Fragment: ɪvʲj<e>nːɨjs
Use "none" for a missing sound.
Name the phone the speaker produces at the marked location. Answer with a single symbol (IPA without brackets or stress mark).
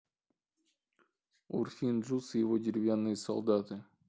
a